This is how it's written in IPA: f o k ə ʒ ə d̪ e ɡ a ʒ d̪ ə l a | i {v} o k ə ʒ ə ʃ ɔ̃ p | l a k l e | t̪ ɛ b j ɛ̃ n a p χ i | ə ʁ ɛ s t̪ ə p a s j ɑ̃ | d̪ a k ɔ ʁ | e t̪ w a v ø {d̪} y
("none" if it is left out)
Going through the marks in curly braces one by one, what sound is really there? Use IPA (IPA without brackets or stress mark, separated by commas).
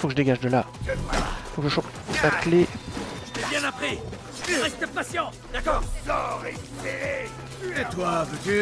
f, t̪